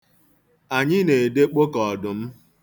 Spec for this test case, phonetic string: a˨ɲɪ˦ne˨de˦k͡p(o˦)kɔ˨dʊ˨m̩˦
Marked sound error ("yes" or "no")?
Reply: no